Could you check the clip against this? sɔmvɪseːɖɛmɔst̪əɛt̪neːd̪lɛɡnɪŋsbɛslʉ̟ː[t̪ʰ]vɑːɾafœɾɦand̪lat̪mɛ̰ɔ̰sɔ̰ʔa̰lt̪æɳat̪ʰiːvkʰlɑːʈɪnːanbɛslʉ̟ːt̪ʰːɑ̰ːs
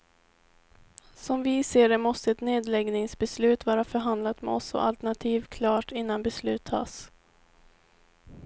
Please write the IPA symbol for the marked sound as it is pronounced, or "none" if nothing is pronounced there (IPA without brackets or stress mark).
t̪